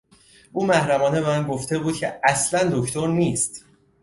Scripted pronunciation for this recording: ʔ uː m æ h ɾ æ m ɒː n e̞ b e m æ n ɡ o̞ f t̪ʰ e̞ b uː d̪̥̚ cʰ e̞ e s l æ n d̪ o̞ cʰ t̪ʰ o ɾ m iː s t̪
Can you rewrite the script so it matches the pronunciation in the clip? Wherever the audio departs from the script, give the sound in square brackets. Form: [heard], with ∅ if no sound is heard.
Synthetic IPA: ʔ uː m æ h ɾ æ m ɒː n e̞ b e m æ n ɡ o̞ f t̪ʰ e̞ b uː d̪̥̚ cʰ e̞ [æ] s l æ n d̪ o̞ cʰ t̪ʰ o ɾ [n] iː s t̪